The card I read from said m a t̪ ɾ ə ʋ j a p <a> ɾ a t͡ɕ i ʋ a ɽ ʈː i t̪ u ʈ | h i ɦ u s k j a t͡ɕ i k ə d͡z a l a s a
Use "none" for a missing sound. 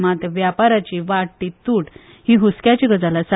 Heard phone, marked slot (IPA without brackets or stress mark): a